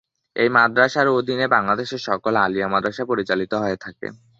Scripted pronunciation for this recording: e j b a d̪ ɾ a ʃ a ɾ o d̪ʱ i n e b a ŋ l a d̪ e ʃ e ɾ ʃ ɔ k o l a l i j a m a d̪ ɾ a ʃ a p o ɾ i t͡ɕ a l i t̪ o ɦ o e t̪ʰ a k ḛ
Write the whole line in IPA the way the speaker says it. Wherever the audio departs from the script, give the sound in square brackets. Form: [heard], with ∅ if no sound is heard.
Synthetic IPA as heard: e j [m] a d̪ ɾ a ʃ a ɾ o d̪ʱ i n e b a ŋ l a d̪ e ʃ e ɾ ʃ ɔ k o l a l i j a m a d̪ ɾ a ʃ a p o ɾ i t͡ɕ a l i t̪ o ɦ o e t̪ʰ a k ḛ